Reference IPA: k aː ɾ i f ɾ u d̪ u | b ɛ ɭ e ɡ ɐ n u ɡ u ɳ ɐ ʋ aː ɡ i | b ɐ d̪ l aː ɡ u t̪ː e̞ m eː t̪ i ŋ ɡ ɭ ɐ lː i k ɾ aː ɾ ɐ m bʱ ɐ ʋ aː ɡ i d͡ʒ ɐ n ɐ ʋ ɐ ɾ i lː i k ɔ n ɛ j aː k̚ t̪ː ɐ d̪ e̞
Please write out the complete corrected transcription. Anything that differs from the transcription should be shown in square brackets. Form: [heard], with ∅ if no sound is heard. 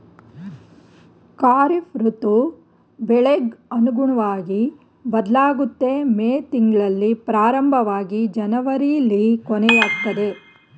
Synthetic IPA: k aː ɾ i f ɾ u [t̪] u | b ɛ ɭ e ɡ ɐ n u ɡ u ɳ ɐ ʋ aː ɡ i | b ɐ d̪ l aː ɡ u t̪ː e̞ m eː t̪ i ŋ ɡ ɭ ɐ lː i [p] ɾ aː ɾ ɐ m bʱ ɐ ʋ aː ɡ i d͡ʒ ɐ n ɐ ʋ ɐ ɾ i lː i k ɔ n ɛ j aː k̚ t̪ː ɐ d̪ e̞

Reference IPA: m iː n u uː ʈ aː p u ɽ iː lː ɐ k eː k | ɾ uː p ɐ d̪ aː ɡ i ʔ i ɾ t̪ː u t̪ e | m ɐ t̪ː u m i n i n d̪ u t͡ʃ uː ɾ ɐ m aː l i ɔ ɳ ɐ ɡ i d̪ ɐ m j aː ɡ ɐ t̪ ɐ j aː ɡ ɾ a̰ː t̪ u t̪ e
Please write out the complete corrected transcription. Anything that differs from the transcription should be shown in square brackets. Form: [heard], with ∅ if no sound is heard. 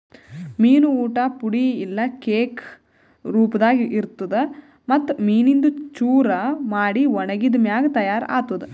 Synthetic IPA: m iː n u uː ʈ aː p u ɽ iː lː ɐ k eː k | ɾ uː p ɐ d̪ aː ɡ i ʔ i ɾ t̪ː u [d̪] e | m ɐ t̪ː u m [iː] n i n d̪ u t͡ʃ uː ɾ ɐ m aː [ɽ] i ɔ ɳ ɐ ɡ i d̪ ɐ m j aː ɡ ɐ t̪ ɐ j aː [∅] ɾ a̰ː t̪ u [d̪] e

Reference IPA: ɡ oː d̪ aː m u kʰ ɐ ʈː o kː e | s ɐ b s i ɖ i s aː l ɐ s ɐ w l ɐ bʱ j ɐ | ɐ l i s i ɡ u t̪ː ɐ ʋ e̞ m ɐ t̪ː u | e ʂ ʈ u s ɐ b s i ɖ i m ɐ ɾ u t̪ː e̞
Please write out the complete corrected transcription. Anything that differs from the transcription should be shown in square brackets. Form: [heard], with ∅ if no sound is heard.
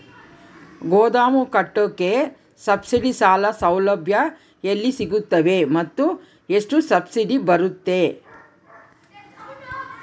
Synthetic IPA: ɡ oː d̪ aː m u [k] ɐ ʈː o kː e | s ɐ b s i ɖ i s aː l ɐ s ɐ w l ɐ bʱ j ɐ | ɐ [lː] i s i ɡ u t̪ː ɐ ʋ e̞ m ɐ t̪ː u | e ʂ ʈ u s ɐ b s i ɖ i [b] ɐ ɾ u t̪ː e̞

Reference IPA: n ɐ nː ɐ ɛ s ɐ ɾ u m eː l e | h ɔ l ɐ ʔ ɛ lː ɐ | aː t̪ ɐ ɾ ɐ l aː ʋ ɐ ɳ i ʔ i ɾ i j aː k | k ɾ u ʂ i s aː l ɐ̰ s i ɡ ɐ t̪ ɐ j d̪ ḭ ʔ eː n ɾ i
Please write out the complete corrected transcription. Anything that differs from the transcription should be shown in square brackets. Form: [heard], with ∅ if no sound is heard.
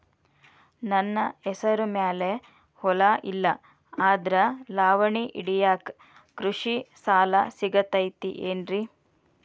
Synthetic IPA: n ɐ nː ɐ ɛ s ɐ ɾ u m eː l e | h ɔ l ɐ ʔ [i] lː ɐ | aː [d̪] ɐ ɾ ɐ l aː ʋ ɐ ɳ i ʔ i [ɽ] i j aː k | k ɾ u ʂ i s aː l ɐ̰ s i ɡ ɐ t̪ ɐ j [t̪] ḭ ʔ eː n ɾ i

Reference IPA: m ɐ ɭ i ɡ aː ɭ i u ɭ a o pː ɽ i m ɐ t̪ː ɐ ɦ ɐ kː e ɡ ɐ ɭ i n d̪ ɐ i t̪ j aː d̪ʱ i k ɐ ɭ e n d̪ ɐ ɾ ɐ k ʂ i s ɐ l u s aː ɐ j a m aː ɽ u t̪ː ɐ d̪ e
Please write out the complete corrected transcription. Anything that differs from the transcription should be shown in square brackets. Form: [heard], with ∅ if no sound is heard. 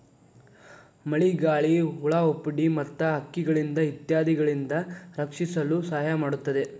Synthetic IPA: m ɐ ɭ i ɡ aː ɭ i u ɭ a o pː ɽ i m ɐ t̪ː ɐ ɦ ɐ kː [i] ɡ ɐ ɭ i n d̪ ɐ i t̪ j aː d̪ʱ i [ɡ] ɐ ɭ [i] n d̪ ɐ ɾ ɐ k ʂ i s ɐ l u s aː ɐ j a m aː ɽ u t̪ː ɐ d̪ e

